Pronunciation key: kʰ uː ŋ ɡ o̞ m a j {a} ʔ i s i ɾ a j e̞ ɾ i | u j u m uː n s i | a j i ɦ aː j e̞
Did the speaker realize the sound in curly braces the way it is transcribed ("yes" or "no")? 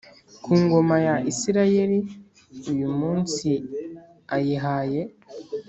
yes